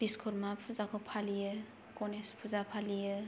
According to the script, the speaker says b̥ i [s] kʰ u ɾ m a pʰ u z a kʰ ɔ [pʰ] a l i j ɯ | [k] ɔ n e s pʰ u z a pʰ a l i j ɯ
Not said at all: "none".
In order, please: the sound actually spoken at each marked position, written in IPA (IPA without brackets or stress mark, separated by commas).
s, pʰ, k